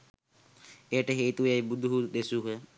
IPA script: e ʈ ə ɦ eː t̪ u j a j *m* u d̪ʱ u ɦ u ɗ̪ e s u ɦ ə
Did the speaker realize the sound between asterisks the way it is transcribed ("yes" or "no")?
no